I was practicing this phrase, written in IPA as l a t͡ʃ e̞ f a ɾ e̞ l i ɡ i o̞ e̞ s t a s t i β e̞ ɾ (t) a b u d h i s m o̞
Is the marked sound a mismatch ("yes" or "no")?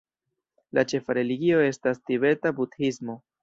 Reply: no